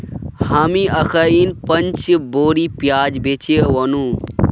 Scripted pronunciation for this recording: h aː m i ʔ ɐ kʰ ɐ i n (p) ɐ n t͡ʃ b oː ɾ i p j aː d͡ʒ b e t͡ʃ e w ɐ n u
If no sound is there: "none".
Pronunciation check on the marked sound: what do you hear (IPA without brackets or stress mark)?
p